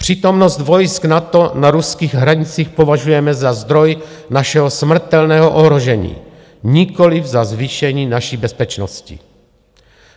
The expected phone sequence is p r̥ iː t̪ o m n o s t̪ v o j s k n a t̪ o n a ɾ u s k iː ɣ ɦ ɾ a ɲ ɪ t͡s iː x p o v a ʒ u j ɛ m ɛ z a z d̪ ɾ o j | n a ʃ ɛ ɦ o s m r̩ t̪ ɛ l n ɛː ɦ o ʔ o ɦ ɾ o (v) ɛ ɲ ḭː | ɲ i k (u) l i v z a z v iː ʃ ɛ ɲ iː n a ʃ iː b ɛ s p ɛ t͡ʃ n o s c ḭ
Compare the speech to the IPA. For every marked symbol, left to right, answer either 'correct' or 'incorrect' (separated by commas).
incorrect, incorrect